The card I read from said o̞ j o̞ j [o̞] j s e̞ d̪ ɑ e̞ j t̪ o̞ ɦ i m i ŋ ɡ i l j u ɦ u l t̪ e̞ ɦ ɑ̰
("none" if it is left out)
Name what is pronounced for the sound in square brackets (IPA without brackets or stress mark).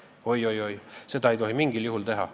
o̞